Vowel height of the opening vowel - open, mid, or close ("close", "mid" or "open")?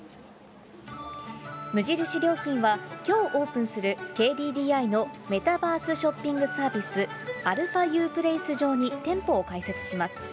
close